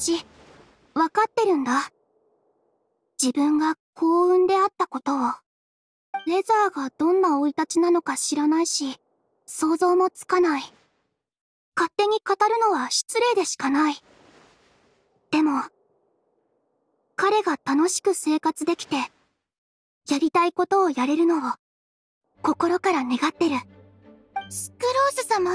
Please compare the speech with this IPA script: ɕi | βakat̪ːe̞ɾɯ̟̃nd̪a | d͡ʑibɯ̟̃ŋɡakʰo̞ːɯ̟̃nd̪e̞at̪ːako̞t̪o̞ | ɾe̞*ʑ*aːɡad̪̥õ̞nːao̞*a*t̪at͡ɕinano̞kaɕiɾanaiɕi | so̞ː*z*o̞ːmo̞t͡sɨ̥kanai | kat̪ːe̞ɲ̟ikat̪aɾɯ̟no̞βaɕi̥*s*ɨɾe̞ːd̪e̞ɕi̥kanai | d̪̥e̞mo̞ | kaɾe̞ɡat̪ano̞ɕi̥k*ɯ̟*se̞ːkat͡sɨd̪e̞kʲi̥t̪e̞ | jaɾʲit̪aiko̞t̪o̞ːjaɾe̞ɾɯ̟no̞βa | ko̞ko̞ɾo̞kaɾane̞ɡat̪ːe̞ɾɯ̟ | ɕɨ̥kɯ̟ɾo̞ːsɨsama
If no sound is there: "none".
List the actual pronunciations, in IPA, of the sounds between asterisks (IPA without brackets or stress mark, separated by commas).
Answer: z, i, z, t͡s, ɯ̟